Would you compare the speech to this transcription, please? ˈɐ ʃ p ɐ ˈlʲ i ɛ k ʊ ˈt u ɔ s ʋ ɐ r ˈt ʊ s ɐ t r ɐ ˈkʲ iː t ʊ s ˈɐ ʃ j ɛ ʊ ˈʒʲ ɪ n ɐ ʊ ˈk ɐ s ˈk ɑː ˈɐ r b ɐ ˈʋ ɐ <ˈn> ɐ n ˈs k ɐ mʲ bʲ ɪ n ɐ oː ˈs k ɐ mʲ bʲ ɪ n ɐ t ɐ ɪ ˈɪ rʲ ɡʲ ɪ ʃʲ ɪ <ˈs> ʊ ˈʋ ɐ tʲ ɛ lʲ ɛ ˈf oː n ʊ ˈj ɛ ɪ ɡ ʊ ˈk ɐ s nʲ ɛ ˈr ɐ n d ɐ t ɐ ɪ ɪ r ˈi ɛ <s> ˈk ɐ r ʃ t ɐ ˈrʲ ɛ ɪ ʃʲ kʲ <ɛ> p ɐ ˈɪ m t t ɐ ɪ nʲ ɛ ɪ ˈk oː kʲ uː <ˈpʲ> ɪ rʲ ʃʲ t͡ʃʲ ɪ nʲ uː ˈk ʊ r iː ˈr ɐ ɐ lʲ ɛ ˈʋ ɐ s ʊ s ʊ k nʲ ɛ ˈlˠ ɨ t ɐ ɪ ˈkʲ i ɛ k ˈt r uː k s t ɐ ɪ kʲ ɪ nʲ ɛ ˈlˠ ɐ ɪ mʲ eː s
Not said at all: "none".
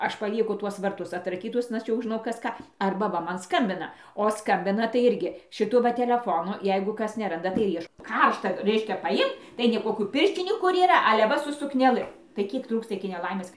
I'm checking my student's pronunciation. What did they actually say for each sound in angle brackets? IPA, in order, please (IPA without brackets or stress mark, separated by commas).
m, t, ʃ, ɛ, pʲ